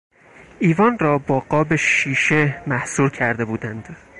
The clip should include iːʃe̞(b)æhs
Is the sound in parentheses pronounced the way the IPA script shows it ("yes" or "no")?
no